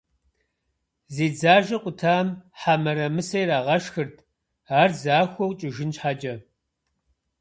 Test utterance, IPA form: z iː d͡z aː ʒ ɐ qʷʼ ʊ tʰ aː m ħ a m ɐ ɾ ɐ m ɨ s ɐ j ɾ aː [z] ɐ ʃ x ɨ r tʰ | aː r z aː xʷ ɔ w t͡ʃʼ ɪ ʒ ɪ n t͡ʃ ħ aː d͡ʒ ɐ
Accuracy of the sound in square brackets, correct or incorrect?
incorrect: ʁ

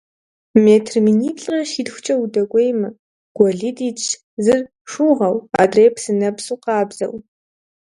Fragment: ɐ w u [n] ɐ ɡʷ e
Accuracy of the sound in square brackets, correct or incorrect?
incorrect: d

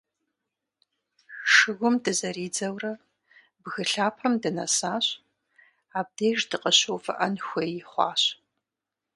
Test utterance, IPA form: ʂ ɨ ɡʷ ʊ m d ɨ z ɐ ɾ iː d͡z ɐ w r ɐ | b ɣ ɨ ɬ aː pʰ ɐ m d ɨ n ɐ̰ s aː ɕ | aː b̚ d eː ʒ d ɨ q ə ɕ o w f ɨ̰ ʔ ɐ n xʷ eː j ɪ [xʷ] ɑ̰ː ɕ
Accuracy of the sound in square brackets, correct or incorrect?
incorrect: χʷ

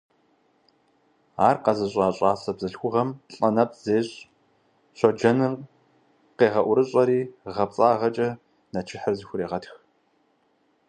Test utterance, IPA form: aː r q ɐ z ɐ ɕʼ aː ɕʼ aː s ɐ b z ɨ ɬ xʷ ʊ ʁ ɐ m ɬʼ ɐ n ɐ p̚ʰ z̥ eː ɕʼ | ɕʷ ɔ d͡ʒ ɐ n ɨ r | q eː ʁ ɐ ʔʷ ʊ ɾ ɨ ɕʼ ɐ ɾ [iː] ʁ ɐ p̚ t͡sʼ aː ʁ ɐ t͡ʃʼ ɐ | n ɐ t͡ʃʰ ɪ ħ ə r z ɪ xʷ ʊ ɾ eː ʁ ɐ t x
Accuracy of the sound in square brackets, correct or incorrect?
correct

